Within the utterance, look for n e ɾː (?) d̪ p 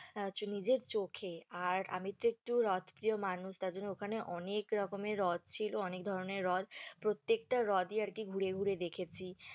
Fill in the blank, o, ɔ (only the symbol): ɔ